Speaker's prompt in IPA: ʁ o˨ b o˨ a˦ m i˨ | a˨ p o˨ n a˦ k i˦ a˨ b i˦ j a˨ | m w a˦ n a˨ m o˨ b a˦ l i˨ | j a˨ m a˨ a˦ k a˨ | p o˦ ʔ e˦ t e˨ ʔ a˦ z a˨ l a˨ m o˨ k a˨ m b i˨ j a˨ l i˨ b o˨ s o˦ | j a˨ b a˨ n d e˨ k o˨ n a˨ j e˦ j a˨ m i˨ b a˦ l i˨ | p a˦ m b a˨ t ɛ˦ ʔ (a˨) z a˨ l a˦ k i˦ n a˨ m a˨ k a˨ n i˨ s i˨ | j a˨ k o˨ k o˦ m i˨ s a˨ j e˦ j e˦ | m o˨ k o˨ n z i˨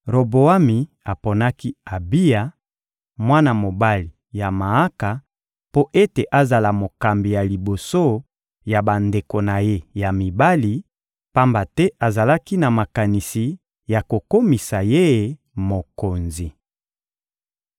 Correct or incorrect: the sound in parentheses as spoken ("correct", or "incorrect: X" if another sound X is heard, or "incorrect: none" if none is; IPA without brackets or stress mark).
correct